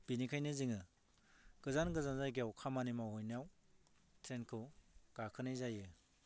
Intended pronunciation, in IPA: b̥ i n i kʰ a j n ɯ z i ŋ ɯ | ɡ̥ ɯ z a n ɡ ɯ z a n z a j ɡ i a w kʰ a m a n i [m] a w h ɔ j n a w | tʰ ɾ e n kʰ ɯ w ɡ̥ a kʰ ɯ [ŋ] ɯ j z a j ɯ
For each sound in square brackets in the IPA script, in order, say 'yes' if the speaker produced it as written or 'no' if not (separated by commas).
yes, no